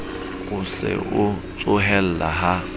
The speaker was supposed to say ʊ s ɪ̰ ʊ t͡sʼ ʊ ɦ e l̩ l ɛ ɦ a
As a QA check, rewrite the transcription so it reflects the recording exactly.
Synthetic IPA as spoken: ʊ s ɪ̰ ʊ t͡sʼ ʊ ɦ ɛ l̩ l a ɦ a